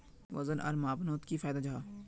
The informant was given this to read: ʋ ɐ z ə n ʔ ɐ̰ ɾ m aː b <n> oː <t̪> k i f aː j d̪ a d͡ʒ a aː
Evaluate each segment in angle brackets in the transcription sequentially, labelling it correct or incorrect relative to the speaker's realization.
correct, correct

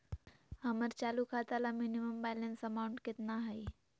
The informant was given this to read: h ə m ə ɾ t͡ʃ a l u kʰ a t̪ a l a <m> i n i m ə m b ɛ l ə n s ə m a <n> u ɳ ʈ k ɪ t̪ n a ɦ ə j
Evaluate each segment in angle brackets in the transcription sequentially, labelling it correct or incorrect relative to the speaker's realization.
correct, incorrect: none

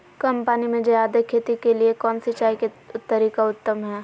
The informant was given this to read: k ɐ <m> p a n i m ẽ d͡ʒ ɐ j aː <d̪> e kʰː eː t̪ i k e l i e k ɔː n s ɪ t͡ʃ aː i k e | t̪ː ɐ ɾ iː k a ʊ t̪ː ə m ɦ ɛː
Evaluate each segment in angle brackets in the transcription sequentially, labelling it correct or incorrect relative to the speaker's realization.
correct, correct

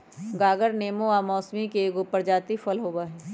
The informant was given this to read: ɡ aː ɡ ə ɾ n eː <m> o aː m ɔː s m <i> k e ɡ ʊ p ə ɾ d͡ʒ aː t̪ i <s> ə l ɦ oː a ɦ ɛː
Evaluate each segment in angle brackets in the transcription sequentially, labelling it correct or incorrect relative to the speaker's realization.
correct, correct, incorrect: f

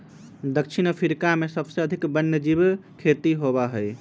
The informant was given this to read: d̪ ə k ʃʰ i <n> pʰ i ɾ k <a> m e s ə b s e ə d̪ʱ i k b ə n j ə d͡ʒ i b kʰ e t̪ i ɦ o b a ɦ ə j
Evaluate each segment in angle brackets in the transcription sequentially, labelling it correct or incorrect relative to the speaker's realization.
correct, correct

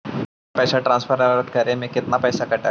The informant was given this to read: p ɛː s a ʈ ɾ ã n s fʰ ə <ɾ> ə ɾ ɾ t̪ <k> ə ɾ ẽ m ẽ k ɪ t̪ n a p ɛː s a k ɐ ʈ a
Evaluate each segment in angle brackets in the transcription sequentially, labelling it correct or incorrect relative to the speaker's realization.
correct, correct

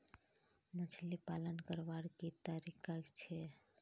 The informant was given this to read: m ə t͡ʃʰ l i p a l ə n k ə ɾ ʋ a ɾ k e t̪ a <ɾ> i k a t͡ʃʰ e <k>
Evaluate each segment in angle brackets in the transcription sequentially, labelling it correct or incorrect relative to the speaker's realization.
correct, incorrect: none

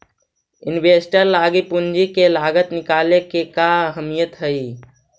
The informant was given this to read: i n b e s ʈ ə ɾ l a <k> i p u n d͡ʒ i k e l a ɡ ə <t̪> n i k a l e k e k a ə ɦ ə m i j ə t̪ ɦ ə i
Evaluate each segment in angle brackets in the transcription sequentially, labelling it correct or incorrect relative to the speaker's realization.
incorrect: ɡ, correct

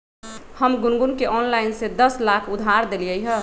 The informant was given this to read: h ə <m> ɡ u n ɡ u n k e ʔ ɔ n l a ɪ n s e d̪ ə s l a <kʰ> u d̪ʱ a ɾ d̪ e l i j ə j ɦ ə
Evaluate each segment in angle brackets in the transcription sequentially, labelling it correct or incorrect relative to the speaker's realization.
correct, correct

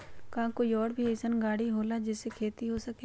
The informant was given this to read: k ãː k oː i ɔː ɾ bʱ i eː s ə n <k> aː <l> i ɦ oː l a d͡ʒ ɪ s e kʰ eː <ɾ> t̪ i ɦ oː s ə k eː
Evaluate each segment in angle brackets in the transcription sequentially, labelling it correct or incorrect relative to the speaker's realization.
incorrect: ɡ, incorrect: ɽ, incorrect: none

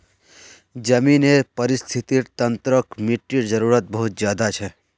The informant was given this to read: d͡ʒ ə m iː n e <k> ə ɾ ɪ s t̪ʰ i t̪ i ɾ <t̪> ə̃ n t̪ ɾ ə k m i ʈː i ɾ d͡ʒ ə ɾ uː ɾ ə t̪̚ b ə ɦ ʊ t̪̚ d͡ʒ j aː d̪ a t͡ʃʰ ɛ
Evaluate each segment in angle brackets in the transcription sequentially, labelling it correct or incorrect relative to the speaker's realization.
incorrect: p, correct

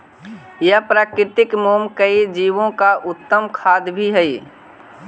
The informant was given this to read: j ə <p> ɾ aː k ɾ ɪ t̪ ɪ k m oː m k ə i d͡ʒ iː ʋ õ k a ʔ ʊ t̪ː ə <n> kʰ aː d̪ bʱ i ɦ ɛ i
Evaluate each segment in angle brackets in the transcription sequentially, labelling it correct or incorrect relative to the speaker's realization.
correct, incorrect: m

